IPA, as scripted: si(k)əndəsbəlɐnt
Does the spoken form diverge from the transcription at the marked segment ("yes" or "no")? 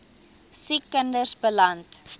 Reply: no